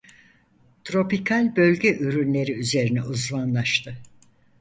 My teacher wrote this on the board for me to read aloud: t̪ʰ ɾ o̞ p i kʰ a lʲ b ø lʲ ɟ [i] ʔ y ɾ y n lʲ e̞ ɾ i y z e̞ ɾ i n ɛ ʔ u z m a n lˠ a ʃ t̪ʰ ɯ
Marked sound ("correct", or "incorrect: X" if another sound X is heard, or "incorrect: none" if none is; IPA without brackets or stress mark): incorrect: ɛ